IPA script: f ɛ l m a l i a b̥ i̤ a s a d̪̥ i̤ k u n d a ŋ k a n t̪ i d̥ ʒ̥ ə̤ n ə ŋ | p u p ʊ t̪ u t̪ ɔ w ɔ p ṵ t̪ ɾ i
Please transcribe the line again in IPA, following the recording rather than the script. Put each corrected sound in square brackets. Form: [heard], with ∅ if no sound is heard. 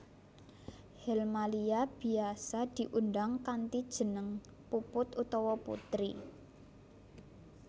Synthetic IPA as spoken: [h] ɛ l m a l i a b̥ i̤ a s a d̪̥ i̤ [ʔ] u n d a ŋ k a n t̪ i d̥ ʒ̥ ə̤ n ə ŋ | p u p ʊ t̪ u t̪ ɔ w ɔ p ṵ t̪ ɾ i